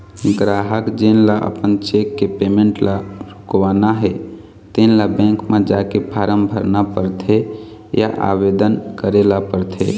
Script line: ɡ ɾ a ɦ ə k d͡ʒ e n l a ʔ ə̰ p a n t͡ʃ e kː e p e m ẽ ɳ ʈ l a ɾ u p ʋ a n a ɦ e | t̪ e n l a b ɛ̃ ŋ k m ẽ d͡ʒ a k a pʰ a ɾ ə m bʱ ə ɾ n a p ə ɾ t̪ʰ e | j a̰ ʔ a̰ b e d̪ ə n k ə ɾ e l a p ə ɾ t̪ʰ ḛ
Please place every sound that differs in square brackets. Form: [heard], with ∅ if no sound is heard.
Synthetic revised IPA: ɡ ɾ a ɦ ə k d͡ʒ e n l a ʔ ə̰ p [ə] n t͡ʃ e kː e p e m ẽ ɳ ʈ l a ɾ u [k] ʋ a n a ɦ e | t̪ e n l a b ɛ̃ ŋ k m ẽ d͡ʒ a k [e] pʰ a ɾ ə m bʱ ə ɾ n a p ə ɾ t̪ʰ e | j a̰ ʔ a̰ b e d̪ ə n k ə ɾ e l a p ə ɾ t̪ʰ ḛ